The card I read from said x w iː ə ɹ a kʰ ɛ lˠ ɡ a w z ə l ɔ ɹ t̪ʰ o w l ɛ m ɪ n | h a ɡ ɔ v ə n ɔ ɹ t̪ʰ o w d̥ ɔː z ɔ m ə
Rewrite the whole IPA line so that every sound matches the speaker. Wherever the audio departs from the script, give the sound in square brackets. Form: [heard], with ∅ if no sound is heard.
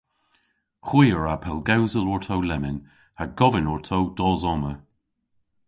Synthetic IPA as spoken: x w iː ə ɹ a [pʰ] ɛ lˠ ɡ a w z ə l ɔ ɹ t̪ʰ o w l ɛ m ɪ n | h a ɡ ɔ v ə n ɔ ɹ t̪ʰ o w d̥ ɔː z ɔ m ə